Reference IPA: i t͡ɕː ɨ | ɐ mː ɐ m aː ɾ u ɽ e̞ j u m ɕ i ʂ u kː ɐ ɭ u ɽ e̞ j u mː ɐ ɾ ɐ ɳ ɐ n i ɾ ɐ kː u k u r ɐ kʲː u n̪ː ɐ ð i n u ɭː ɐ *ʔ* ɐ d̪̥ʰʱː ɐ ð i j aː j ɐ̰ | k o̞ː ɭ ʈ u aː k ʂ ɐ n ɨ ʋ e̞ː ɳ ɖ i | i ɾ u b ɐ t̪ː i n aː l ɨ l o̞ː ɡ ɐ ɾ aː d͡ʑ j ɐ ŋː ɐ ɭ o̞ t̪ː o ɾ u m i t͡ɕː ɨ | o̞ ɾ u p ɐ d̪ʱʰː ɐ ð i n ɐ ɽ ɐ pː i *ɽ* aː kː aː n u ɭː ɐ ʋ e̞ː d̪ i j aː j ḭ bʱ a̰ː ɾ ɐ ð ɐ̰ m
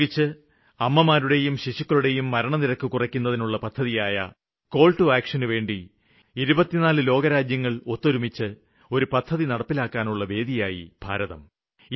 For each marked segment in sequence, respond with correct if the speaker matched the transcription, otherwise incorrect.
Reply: incorrect, incorrect

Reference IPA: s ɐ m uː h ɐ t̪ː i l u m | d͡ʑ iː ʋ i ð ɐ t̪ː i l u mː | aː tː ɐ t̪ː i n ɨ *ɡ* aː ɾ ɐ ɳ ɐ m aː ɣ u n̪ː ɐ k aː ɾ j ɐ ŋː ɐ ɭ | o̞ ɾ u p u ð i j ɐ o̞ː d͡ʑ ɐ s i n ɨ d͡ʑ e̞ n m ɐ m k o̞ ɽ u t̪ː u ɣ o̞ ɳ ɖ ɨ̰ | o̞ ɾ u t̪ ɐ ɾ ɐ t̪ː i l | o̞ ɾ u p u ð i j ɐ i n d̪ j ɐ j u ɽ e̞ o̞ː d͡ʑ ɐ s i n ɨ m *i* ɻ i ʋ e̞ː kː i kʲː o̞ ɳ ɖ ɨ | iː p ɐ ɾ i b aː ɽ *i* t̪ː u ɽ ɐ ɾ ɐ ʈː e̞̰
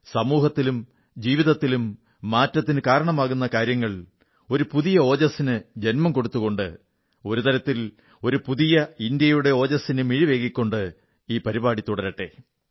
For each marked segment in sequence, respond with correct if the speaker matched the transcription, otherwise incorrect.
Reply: incorrect, correct, correct

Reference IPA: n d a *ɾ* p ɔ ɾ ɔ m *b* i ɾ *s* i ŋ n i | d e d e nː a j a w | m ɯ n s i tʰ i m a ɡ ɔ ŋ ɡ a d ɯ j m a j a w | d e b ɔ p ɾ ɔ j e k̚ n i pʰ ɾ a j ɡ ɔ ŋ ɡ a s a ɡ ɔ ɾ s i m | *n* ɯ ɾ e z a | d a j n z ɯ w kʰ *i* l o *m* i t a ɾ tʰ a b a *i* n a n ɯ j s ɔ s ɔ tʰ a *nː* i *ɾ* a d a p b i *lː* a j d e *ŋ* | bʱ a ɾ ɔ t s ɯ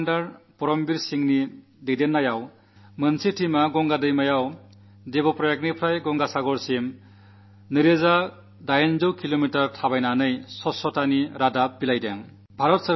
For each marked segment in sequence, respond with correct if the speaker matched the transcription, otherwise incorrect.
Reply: correct, correct, correct, correct, correct, correct, incorrect, incorrect, correct, incorrect, correct

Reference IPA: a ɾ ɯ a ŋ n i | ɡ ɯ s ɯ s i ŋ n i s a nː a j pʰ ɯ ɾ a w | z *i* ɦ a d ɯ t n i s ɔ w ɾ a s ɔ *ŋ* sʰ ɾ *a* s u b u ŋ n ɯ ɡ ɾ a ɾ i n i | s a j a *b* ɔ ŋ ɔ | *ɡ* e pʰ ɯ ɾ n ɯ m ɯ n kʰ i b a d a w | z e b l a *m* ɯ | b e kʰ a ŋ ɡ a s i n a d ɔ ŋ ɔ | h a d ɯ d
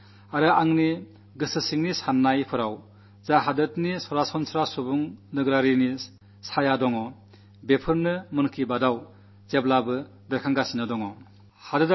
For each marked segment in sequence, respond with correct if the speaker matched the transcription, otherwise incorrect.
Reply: incorrect, incorrect, correct, incorrect, incorrect, incorrect

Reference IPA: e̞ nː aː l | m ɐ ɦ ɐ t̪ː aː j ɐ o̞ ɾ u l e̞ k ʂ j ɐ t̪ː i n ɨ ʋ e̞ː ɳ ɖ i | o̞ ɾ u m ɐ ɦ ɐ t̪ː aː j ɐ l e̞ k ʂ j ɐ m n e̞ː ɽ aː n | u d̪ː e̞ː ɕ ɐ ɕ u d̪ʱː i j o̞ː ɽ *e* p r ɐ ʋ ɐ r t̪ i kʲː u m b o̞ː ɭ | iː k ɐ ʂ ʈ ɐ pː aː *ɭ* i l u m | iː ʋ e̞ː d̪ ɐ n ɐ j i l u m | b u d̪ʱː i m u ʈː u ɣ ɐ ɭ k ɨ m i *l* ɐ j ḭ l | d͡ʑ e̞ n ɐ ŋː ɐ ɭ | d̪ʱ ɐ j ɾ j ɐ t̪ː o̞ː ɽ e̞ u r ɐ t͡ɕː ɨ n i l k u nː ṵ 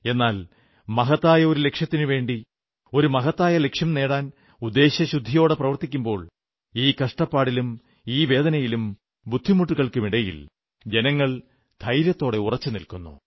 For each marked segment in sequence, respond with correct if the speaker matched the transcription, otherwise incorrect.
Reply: correct, incorrect, incorrect

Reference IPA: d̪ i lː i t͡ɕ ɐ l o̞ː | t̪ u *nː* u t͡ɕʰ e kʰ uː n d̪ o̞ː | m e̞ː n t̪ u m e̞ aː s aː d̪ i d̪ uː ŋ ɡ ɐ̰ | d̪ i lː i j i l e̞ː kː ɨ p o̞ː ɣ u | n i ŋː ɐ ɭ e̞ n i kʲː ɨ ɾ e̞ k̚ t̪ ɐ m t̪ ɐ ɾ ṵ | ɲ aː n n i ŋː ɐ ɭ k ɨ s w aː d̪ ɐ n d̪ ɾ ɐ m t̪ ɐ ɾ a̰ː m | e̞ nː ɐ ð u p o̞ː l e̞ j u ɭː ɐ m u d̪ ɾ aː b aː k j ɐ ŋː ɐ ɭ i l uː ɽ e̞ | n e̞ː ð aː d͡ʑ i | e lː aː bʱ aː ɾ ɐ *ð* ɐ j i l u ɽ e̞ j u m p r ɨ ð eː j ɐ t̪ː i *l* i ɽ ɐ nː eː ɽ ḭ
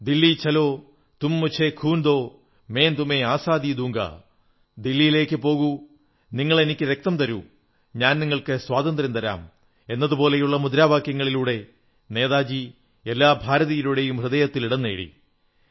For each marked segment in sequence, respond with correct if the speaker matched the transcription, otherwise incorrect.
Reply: incorrect, correct, correct

